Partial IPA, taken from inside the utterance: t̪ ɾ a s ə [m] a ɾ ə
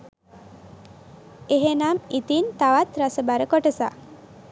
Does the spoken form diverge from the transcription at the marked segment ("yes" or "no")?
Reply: yes